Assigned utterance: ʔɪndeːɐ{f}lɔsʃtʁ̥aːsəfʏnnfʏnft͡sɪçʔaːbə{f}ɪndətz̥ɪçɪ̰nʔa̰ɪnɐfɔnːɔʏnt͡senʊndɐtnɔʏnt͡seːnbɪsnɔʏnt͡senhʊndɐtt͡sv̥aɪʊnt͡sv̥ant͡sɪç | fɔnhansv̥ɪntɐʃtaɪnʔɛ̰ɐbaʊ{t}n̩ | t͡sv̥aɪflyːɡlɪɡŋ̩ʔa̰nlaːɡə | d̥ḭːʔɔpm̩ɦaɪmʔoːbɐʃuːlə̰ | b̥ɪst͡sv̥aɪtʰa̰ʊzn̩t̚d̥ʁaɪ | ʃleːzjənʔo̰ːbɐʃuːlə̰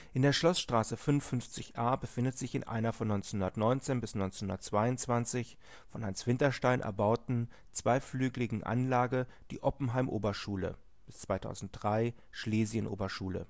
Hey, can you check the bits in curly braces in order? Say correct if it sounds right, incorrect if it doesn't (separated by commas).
incorrect, correct, correct